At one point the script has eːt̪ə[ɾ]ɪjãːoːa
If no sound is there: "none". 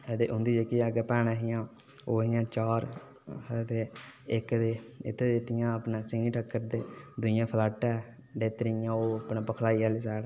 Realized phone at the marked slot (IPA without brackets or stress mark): ɾ